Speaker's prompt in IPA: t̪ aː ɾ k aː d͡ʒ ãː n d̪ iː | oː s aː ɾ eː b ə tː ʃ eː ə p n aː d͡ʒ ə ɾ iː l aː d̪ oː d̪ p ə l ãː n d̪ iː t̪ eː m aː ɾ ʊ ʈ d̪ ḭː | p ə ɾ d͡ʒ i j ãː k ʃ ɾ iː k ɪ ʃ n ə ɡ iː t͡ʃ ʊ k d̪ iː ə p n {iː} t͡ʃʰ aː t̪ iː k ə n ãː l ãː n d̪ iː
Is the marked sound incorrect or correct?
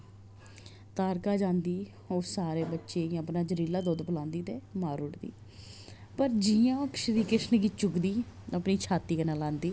correct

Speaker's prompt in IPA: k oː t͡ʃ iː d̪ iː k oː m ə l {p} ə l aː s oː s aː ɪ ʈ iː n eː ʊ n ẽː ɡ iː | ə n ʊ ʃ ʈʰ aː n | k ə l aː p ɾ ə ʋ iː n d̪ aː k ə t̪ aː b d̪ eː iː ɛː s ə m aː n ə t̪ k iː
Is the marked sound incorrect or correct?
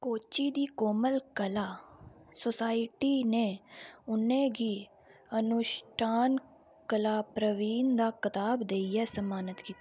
incorrect: k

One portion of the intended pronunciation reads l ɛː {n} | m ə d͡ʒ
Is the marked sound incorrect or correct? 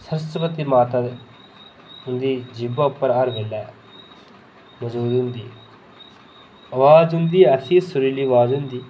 incorrect: none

